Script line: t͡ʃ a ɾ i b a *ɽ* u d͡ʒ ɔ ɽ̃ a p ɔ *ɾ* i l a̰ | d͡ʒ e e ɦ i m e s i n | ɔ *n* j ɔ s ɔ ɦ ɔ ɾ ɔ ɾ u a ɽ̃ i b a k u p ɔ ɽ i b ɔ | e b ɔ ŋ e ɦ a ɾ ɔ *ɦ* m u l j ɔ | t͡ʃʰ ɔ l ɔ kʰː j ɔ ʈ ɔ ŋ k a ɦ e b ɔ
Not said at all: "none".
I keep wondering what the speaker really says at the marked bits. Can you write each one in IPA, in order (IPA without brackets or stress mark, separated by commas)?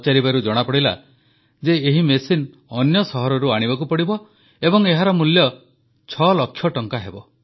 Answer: ɾ, ɽ, n, none